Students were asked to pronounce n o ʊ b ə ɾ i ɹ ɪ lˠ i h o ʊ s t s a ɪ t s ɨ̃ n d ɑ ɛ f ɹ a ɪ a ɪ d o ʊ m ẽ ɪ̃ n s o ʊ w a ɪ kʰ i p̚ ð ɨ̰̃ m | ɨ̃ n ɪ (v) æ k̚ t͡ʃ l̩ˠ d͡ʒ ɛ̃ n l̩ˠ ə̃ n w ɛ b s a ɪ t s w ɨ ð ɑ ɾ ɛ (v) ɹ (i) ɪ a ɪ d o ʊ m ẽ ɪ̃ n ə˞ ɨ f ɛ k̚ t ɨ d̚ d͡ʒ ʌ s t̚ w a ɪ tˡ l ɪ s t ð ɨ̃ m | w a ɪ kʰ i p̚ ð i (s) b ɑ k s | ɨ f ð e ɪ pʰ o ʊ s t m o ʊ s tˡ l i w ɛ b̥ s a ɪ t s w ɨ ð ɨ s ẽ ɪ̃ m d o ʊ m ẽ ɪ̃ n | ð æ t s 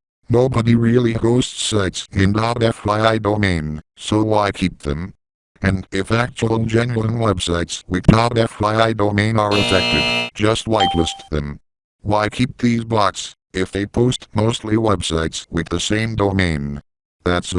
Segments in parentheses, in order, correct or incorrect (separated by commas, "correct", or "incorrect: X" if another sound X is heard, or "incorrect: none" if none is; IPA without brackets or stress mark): incorrect: f, incorrect: f, incorrect: a, incorrect: z